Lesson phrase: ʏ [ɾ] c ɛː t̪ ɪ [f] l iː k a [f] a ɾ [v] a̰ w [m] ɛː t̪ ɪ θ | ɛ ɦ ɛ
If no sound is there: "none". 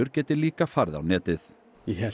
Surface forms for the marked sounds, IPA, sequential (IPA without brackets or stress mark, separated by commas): ɾ, none, f, ð, n